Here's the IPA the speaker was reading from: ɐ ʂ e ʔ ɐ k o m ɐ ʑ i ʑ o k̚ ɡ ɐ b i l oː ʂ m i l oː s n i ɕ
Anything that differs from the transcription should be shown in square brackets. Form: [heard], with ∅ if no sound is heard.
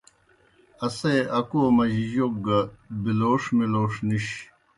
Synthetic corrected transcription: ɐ [s] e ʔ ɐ k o m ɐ ʑ i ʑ o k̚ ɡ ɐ b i l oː ʂ m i l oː [ʂ] n i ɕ